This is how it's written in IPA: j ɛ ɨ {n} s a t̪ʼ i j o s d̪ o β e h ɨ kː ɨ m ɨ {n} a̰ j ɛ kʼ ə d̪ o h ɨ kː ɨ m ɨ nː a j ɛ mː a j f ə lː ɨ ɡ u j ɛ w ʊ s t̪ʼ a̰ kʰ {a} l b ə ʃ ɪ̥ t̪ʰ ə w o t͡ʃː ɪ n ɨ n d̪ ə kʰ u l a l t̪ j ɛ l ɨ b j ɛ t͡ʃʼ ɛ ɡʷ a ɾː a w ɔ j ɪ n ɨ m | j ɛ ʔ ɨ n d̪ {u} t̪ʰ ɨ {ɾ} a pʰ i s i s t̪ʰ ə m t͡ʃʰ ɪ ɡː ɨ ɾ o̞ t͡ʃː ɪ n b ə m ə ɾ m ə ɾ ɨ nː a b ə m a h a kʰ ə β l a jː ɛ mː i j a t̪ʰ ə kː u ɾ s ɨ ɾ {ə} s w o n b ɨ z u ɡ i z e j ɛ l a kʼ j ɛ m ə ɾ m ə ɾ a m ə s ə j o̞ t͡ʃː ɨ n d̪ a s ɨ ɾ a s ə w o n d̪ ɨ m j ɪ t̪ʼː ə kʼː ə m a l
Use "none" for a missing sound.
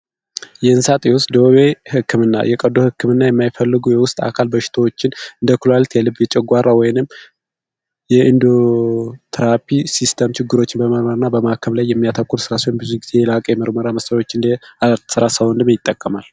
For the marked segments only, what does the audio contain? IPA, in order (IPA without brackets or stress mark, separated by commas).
n, nː, a, o, ɾ, a